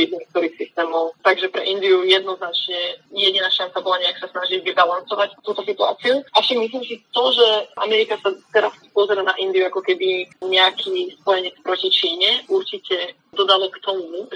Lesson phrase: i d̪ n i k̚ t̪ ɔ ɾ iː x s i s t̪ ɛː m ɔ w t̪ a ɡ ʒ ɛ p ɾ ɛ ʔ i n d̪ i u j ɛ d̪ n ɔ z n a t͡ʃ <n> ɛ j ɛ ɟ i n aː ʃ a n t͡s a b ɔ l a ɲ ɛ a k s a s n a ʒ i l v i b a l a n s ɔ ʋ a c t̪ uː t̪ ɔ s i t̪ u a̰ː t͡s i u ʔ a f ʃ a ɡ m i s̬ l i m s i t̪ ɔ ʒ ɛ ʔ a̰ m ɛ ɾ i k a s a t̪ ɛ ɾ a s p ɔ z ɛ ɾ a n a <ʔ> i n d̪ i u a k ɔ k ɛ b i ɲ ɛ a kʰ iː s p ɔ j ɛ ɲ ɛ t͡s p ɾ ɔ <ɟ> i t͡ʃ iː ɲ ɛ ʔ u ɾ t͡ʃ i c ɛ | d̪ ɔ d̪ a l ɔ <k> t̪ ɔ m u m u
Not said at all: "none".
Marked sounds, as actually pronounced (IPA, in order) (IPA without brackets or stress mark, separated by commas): ɲ, ʔ, c, k